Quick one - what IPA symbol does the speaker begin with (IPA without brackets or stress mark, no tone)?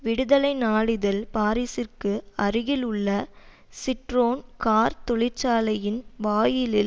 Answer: ʋ